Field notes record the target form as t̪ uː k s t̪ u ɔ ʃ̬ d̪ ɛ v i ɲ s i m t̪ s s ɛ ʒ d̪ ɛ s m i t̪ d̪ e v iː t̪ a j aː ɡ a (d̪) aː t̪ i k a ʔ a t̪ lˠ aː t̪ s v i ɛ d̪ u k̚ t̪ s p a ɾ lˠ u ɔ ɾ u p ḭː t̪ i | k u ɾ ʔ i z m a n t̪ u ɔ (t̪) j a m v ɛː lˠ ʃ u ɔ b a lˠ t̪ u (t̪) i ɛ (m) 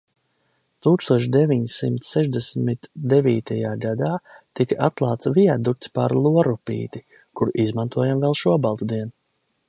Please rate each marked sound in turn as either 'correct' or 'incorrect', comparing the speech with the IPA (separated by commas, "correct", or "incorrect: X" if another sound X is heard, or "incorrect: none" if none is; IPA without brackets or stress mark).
correct, incorrect: none, incorrect: d̪, incorrect: n